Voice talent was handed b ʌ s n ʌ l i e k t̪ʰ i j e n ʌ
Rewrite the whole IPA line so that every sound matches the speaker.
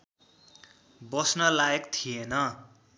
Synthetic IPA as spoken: b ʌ s n ʌ l a e k t̪ʰ i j e n ʌ